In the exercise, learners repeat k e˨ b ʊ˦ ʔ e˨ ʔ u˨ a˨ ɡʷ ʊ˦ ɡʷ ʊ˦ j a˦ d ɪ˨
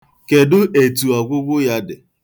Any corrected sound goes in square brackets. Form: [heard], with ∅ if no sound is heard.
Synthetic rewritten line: k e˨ [d] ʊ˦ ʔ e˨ [t] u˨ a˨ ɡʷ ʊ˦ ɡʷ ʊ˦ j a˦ d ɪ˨

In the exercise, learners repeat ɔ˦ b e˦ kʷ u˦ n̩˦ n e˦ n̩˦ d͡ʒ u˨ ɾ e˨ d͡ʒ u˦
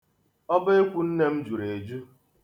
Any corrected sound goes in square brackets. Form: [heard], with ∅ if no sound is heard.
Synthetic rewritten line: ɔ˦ b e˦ kʷ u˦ n̩˦ n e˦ [m̩˦] d͡ʒ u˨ ɾ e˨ d͡ʒ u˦

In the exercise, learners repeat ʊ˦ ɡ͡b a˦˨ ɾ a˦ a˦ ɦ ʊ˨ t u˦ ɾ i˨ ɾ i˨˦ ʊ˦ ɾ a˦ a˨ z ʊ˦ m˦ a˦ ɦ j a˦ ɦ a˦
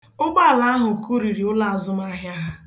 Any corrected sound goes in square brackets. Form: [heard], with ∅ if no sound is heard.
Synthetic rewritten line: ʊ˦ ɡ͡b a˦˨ [l] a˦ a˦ ɦ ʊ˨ [k] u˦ ɾ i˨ ɾ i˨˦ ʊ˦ [l] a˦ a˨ z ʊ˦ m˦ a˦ ɦ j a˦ ɦ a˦

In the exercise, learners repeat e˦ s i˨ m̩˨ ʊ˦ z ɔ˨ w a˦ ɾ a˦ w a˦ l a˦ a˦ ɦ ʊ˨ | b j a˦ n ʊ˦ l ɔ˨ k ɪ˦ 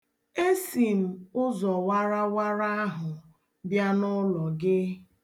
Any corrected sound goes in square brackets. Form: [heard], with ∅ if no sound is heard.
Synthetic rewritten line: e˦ s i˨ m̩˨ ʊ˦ z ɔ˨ w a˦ ɾ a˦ w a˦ [ɾ] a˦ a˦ ɦ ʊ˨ | b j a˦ n ʊ˦ l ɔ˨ [ɡ] ɪ˦

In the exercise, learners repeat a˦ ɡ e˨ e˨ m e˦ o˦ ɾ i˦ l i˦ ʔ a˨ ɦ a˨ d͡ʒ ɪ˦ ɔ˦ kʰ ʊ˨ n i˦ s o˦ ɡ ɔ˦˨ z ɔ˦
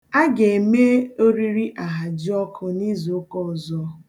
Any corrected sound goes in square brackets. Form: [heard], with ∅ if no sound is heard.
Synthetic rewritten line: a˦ ɡ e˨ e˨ m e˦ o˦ ɾ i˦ [ɾ] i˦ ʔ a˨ ɦ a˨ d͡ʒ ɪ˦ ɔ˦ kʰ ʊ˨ n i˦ [z] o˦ [k] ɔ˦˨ z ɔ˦

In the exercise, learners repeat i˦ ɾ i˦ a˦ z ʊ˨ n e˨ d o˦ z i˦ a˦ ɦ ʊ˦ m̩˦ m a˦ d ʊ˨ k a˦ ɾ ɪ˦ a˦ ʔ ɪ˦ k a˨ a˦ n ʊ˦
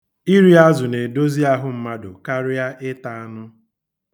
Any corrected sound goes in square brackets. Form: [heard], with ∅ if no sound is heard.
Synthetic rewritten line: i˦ ɾ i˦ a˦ z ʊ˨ n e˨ d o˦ z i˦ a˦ ɦ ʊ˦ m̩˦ m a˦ d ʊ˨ k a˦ ɾ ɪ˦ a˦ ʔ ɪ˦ [t] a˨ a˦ n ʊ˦

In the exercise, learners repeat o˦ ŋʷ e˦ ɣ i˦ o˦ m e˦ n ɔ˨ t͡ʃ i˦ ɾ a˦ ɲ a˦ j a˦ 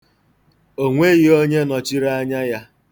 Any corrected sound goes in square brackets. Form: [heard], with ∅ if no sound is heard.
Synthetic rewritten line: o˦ ŋʷ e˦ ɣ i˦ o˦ [ɲ] e˦ n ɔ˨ t͡ʃ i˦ ɾ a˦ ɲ a˦ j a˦

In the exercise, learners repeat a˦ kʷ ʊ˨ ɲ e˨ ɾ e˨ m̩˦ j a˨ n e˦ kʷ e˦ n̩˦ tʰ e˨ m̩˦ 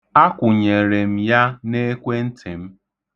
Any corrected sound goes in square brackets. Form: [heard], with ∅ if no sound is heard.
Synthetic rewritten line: a˦ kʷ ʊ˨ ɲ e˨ ɾ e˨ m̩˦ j [a˦] n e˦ kʷ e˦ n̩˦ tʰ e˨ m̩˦

